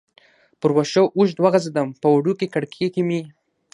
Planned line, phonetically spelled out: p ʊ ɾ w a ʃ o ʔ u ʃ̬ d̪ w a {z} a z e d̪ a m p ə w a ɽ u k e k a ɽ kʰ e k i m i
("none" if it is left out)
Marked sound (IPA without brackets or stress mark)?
ɣ